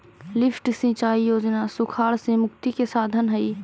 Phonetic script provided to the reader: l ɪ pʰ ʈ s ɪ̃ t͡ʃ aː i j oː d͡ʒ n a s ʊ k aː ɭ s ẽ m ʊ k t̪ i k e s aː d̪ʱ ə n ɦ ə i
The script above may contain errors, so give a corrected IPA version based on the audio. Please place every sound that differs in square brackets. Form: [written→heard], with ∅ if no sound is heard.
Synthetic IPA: l ɪ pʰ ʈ s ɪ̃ t͡ʃ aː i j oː d͡ʒ n a s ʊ [k→kʰ] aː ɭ s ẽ m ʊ k t̪ i k e s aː d̪ʱ ə n ɦ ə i